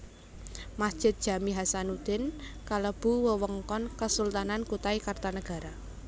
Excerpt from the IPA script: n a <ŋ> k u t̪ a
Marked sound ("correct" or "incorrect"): incorrect